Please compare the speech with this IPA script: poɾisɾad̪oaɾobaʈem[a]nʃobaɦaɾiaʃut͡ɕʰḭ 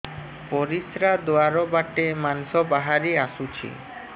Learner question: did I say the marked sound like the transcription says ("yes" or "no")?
yes